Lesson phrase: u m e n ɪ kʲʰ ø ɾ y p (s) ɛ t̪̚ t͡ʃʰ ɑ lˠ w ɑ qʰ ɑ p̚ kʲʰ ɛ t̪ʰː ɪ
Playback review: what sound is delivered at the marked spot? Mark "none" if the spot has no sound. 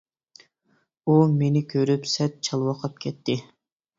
s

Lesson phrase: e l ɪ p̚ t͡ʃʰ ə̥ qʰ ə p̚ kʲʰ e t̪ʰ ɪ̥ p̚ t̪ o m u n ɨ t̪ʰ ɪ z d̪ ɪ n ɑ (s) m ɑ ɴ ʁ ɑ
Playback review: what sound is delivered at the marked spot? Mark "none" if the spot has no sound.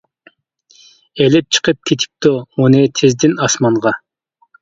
s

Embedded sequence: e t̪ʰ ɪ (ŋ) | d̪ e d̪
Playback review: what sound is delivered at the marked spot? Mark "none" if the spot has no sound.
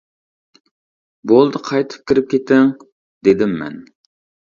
ŋ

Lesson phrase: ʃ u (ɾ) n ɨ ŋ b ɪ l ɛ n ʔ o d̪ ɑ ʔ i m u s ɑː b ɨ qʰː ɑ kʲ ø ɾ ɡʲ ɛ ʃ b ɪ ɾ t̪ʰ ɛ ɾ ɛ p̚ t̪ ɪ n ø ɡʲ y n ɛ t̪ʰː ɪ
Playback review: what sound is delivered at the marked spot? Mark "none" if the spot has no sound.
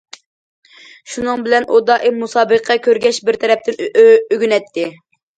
none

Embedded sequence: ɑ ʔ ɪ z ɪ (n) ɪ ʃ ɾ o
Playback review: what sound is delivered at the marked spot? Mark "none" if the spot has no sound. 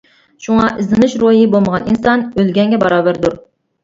n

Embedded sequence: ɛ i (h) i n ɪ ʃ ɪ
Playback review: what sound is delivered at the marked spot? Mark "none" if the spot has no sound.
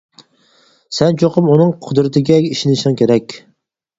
ʃ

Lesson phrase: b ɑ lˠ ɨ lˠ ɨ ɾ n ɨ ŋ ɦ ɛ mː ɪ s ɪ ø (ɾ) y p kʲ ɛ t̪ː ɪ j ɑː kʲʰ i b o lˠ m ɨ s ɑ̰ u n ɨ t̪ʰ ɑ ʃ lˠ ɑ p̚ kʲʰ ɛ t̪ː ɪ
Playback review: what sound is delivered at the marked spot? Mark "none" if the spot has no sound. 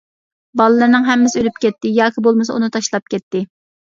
l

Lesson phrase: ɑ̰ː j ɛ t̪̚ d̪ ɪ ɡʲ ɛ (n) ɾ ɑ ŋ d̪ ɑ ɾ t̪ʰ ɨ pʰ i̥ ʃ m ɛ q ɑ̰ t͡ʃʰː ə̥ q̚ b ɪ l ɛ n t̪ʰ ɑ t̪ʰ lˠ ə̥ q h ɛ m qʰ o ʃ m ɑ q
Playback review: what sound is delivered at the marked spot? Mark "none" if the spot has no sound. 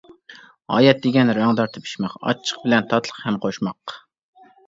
n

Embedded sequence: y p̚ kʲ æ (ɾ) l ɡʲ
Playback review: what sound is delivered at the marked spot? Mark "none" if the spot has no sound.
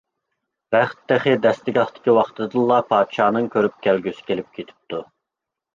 none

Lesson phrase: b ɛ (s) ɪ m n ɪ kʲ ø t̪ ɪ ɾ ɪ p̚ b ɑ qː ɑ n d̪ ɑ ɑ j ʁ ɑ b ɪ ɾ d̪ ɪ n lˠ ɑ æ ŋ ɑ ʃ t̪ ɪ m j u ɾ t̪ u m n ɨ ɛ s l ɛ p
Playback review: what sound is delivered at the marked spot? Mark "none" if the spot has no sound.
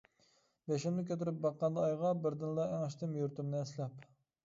ʃ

